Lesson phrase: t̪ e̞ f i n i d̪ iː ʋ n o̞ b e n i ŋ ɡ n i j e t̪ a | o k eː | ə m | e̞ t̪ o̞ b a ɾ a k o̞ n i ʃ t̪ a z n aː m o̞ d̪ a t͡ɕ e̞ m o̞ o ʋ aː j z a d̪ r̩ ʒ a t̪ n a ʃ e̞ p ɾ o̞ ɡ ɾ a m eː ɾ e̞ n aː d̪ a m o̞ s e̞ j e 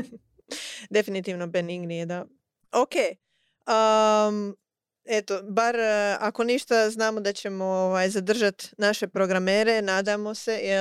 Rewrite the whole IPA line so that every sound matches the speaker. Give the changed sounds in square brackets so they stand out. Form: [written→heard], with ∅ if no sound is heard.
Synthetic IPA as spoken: [t̪→d̪] e̞ f i n i [d̪→t̪] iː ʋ n o̞ b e n i ŋ ɡ n i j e [t̪→d̪] a | o k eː | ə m | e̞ t̪ o̞ b a ɾ a k o̞ n i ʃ t̪ a z n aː m o̞ d̪ a t͡ɕ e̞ m o̞ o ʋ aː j z a d̪ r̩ ʒ a t̪ n a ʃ e̞ p ɾ o̞ ɡ ɾ a m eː ɾ e̞ n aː d̪ a m o̞ s e̞ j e